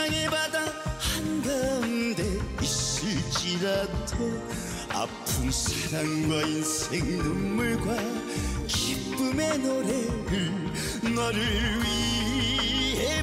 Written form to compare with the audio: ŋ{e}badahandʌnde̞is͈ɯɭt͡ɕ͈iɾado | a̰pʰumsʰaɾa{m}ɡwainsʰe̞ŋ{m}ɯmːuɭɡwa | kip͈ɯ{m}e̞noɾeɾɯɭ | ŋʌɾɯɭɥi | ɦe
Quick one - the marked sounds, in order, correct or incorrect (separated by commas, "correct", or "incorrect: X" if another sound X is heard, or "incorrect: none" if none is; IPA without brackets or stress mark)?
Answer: correct, incorrect: ŋ, incorrect: n, correct